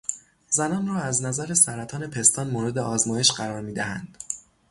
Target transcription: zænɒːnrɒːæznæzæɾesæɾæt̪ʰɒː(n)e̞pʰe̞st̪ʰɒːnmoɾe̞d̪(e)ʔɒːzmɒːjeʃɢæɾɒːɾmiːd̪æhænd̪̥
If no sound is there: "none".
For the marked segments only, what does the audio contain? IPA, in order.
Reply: n, e

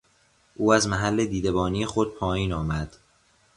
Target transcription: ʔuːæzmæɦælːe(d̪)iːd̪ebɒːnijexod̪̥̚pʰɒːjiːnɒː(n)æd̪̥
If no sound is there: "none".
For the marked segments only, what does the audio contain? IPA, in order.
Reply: d̪, m

